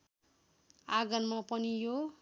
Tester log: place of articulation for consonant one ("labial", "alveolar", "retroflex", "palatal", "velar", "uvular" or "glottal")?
velar